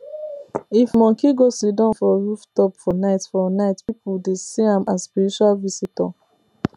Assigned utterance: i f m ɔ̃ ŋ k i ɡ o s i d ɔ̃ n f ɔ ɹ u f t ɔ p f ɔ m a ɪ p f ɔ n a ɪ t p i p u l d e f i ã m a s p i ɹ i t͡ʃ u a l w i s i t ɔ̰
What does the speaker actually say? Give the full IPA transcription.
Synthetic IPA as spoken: i f m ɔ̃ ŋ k i ɡ o s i d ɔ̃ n f ɔ ɹ u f t ɔ p f ɔ n a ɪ t f ɔ n a ɪ t p i p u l d e s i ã m a s p i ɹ i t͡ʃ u a l v i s i t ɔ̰